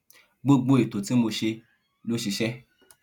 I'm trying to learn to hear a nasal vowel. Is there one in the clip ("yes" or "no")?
no